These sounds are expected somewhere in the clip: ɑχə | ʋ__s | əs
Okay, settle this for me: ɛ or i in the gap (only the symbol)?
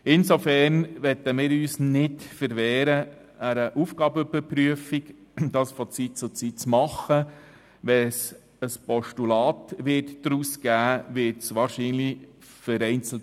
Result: ɛ